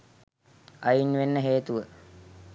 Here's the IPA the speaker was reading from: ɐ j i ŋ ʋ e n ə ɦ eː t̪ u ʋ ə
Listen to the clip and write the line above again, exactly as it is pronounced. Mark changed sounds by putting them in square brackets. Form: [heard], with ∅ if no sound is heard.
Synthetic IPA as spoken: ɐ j i [n] ʋ e [nː] ə ɦ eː t̪ u ʋ ə